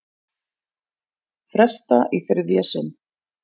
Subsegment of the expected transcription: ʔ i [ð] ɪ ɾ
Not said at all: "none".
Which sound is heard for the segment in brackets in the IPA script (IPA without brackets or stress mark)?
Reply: θ